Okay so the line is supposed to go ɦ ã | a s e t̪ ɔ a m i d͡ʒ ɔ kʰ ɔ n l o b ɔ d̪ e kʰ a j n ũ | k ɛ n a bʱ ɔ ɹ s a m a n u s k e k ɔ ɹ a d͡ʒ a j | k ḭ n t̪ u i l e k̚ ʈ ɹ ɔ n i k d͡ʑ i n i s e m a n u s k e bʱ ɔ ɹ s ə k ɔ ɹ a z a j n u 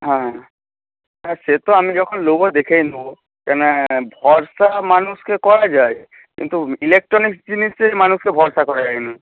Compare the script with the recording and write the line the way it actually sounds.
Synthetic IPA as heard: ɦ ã | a s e t̪ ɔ a m i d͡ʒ ɔ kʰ ɔ n l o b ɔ d̪ e kʰ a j n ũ | k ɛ n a bʱ ɔ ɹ s a m a n u s k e k ɔ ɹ a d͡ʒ a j | k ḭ n t̪ u i l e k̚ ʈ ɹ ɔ n i k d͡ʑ i n i s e m a n u s k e bʱ ɔ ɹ s a k ɔ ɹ a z a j n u